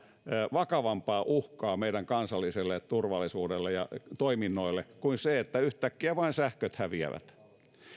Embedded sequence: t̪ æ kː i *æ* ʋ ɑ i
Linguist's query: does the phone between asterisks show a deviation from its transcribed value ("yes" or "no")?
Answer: no